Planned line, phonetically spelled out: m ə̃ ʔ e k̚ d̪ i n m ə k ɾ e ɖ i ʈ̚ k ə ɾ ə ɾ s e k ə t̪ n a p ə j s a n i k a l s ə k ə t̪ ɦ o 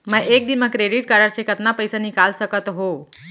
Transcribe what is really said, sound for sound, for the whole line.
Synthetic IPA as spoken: m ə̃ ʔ e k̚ d̪ i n m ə k ɾ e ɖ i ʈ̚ k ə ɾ ə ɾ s e k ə t̪ n a p ə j s a n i k a l s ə k ə t̪ ɦ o